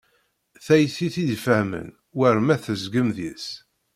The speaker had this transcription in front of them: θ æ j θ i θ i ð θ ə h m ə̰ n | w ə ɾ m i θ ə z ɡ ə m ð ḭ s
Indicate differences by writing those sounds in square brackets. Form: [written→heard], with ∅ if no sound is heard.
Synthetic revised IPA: θ æ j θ i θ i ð [θ→f] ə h m ə̰ n | w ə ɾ m [i→æ] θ ə z ɡ ə m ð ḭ s